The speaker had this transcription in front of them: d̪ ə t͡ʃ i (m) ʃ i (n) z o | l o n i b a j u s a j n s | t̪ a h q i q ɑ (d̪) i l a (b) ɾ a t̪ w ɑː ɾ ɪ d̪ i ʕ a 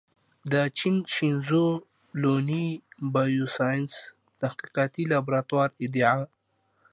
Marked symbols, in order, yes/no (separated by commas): no, yes, no, yes